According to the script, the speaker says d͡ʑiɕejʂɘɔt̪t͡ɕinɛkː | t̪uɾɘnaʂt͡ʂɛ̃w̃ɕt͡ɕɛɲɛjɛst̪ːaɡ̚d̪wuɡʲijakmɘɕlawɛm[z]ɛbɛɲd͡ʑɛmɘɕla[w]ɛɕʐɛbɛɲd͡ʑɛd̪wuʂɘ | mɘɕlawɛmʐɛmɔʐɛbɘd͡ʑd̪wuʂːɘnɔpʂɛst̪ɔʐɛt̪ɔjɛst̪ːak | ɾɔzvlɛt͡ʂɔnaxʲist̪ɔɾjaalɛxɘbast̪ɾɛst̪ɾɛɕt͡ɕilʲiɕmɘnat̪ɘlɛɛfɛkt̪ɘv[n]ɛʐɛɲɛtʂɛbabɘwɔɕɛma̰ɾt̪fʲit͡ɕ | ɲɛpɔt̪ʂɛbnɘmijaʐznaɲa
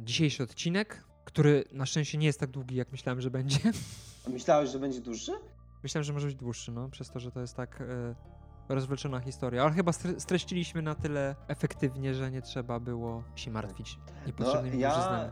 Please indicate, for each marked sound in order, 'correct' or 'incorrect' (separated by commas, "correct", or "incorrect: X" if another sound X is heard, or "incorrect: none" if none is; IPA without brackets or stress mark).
incorrect: ʐ, correct, incorrect: ɲ